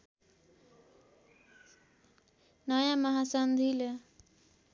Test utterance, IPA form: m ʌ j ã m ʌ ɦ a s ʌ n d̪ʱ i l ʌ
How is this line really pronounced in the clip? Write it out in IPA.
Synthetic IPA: n ʌ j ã m ʌ ɦ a s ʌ n d̪ʱ i l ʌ